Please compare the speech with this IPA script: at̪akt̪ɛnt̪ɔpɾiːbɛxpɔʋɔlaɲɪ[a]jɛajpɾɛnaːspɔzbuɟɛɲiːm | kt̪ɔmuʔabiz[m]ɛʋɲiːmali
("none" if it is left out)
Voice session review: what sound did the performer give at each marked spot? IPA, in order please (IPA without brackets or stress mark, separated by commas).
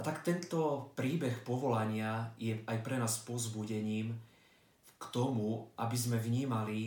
a, m